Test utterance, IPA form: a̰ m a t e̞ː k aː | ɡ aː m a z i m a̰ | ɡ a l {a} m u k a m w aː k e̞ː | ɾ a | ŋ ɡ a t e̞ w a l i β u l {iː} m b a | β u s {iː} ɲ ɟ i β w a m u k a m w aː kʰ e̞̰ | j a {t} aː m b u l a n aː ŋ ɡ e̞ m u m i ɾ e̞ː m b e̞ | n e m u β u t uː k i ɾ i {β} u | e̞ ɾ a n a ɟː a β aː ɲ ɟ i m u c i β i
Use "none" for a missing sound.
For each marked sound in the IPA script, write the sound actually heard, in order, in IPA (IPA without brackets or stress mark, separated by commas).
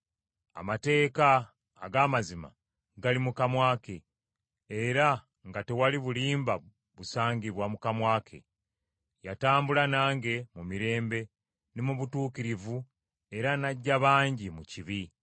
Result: i, iː, aː, t, v